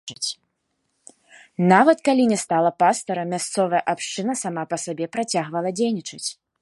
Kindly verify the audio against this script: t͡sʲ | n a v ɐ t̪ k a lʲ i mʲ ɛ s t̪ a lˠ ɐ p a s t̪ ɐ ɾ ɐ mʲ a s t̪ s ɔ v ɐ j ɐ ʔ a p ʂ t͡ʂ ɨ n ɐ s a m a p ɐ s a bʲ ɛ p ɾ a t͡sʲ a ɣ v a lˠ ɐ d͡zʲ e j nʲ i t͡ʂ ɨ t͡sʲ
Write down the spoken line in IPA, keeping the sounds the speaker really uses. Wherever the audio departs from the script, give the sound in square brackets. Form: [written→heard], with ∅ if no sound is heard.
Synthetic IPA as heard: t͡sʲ | n a v ɐ t̪ k a lʲ i [mʲ→nʲ] ɛ s t̪ a lˠ ɐ p a s t̪ ɐ ɾ ɐ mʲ a s t̪ s ɔ v ɐ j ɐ ʔ a p ʂ t͡ʂ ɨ n ɐ s a m a p ɐ s a bʲ ɛ p ɾ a t͡sʲ a ɣ v [a→ɐ] lˠ ɐ d͡zʲ e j nʲ i t͡ʂ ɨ t͡sʲ